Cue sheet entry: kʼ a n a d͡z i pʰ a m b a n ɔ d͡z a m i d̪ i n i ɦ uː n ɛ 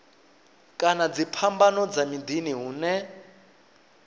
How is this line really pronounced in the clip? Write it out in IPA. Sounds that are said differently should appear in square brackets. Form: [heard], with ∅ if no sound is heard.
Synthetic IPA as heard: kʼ a n a d͡z i pʰ a m b a n ɔ d͡z a m i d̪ i n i ɦ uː n ɛ